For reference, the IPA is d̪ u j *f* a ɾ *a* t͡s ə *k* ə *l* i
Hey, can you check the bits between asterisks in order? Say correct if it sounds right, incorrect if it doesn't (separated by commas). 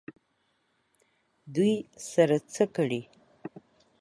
incorrect, correct, correct, incorrect